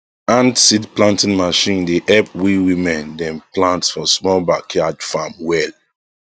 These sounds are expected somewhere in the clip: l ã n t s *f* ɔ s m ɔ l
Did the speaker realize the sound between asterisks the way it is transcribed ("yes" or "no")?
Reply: yes